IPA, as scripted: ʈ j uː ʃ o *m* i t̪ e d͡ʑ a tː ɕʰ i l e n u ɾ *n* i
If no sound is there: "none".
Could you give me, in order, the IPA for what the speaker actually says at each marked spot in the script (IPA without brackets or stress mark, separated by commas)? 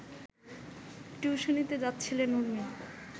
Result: n, m